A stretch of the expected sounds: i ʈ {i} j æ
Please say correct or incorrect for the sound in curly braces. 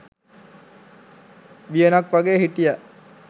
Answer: correct